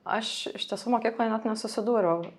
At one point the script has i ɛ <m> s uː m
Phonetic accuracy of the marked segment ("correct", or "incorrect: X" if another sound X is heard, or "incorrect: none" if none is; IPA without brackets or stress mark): incorrect: none